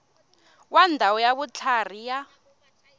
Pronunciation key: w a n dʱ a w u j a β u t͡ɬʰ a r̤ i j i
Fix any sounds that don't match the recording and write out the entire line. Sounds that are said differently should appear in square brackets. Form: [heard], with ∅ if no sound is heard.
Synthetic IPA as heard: w a n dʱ a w [ɔ] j a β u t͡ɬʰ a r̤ i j [a]